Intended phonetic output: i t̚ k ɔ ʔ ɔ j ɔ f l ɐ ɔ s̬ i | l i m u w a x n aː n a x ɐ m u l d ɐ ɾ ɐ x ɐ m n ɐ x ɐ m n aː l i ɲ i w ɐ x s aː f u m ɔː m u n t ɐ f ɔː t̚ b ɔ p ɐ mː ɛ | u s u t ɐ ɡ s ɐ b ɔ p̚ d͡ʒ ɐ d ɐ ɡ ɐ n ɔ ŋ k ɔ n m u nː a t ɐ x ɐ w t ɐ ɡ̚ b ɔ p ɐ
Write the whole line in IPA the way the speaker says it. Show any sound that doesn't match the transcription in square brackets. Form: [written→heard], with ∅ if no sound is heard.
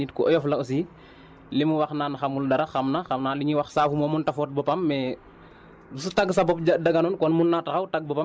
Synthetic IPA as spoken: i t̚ k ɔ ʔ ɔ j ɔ f l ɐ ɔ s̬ i | l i m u w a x n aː n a x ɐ m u l d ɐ ɾ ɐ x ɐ m n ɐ x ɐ m n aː l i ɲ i w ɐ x s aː f u m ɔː m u n t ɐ f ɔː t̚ b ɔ p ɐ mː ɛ | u s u t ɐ ɡ s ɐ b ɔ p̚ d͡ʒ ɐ d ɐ ɡ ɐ n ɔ [ŋ→n] k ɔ n m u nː a t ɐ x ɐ w t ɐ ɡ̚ b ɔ p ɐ